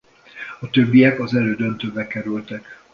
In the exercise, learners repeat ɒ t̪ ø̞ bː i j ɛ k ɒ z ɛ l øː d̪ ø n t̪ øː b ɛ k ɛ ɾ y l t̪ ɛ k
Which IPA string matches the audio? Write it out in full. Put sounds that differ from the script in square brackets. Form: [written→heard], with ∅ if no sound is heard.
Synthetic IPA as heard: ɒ t̪ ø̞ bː i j ɛ k ɒ z ɛ l øː d̪ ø n t̪ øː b ɛ k ɛ ɾ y l t̪ ɛ k